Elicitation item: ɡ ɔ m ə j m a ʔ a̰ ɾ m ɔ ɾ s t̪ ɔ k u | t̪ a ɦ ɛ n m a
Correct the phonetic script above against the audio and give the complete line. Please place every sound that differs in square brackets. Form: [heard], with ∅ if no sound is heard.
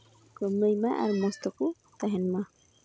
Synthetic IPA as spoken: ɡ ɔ m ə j m a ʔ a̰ ɾ m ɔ [∅] s t̪ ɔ k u | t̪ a ɦ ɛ n m a